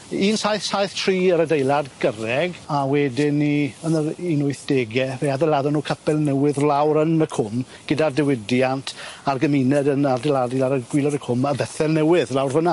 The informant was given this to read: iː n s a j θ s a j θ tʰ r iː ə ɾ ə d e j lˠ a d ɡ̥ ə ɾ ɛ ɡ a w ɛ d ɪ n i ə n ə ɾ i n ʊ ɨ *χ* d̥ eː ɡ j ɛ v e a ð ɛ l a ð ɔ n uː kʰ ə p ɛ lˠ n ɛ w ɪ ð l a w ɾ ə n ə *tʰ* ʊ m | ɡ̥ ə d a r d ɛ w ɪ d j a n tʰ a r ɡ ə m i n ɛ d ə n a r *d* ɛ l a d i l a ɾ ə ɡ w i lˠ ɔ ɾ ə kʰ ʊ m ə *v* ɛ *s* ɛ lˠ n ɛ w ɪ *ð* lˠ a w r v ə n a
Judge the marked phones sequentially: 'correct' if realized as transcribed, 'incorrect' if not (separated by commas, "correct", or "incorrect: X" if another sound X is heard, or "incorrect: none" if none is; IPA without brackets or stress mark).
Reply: incorrect: θ, incorrect: kʰ, correct, incorrect: b, incorrect: θ, correct